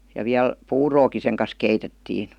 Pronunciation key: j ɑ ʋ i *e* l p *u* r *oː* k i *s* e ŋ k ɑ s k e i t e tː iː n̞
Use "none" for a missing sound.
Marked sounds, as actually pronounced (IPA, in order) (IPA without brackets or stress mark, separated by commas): æ, uː, oː, s